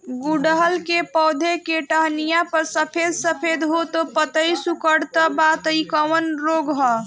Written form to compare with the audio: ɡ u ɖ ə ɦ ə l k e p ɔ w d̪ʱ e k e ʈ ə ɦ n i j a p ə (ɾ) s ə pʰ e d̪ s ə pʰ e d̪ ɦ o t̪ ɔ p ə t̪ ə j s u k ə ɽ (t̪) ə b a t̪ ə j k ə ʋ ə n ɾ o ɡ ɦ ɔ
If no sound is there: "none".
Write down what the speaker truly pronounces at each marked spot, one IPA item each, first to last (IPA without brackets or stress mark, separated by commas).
ɾ, t̪